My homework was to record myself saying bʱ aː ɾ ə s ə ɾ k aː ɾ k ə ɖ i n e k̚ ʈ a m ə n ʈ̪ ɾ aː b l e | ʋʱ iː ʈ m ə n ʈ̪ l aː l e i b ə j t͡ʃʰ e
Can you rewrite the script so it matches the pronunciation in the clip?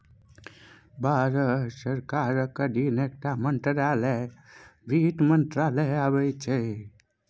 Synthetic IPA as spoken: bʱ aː ɾ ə s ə ɾ k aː ɾ k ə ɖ i n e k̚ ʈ a m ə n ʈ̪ ɾ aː l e | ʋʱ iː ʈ m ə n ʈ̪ ɾ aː l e a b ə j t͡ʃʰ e